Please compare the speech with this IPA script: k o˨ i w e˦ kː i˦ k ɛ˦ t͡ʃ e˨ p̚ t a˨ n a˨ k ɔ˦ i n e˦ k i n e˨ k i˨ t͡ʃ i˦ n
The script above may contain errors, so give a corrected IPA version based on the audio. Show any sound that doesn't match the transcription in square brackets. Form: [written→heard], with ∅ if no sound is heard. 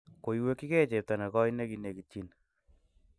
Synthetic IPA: k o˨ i w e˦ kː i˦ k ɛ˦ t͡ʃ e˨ p̚ t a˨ n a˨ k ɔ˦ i n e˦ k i n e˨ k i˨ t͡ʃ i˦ n